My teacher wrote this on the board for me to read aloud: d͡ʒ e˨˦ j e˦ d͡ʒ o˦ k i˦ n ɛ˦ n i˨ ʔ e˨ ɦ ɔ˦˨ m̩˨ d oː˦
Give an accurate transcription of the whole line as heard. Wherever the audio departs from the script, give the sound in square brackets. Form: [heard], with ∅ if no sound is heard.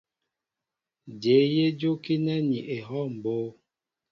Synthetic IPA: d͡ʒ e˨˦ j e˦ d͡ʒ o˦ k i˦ n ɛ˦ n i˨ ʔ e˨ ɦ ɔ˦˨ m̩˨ [b] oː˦